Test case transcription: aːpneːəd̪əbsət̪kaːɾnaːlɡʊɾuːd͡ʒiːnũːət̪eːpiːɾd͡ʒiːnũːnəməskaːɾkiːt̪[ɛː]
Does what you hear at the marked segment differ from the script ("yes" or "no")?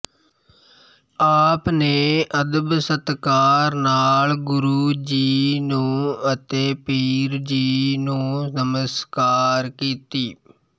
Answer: yes